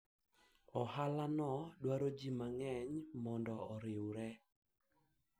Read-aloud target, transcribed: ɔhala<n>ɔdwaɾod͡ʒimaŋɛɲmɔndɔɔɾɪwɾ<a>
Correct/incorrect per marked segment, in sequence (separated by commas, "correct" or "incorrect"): correct, incorrect